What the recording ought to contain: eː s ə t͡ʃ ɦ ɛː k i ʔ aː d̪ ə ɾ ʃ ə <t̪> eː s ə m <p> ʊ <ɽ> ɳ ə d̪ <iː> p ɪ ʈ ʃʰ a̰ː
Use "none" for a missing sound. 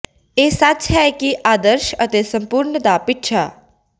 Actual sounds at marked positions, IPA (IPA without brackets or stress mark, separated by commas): t̪, p, ɾ, aː